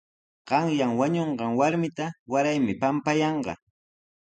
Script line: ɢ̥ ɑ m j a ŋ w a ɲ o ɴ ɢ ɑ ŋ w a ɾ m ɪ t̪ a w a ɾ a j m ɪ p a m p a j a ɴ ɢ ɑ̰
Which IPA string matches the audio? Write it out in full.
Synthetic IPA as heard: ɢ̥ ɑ ŋ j a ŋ w a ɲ o ɴ ɢ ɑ ŋ w a ɾ m ɪ t̪ a w a ɾ a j m ɪ p a m p a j ɑ ɴ ɢ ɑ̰

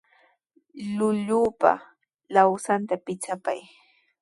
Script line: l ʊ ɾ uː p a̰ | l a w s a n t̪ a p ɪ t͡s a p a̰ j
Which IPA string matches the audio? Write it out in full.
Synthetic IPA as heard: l ʊ ʎ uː p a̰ | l a w s a n t̪ a p ɪ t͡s a p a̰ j

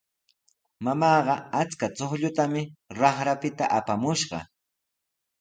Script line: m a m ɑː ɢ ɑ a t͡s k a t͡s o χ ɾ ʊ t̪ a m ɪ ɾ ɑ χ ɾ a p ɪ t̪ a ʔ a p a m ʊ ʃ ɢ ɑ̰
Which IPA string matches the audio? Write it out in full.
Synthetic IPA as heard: m a m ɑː ɢ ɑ a t͡s k a t͡s o χ ʎ ʊ t̪ a m ɪ ɾ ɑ χ ɾ a p ɪ t̪ a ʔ a p a m ʊ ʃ ɢ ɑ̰

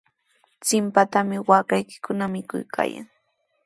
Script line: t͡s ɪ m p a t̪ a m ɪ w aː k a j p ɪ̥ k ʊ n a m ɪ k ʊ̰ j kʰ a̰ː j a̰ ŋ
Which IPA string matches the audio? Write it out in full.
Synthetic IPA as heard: t͡s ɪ m p a t̪ a m ɪ w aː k a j k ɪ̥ k ʊ n a m ɪ k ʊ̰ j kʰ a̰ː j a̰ ŋ

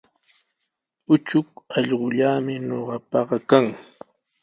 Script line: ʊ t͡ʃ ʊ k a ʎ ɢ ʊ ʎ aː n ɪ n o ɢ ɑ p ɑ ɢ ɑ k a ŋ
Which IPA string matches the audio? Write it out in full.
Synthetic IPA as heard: ʊ t͡ʃ ʊ k ɑ ʎ ɢ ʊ ʎ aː m ɪ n o ɢ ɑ p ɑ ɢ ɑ k a ŋ

